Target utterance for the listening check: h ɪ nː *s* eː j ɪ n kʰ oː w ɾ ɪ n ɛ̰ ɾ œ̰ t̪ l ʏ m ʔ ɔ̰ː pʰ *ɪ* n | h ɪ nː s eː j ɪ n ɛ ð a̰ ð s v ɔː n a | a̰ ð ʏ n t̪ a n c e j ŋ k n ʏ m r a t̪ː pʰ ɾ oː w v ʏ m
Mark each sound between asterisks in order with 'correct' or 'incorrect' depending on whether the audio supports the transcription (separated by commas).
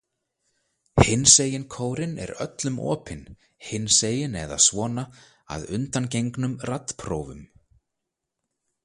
correct, correct